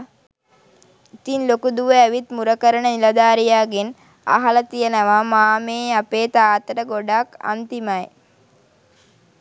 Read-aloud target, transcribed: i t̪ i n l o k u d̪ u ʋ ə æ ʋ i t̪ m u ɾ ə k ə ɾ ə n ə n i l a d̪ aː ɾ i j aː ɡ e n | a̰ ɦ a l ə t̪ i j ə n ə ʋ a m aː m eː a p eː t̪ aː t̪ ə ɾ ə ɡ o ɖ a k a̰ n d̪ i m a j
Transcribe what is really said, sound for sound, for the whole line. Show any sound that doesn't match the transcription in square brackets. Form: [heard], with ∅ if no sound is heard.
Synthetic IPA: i t̪ i n l o k u d̪ u ʋ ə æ ʋ i t̪ m u ɾ ə k ə ɾ ə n ə n i l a d̪ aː ɾ i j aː ɡ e n | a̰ ɦ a l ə t̪ i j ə n ə ʋ a m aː m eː a p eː t̪ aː t̪ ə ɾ ə ɡ o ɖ a k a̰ n [t̪] i m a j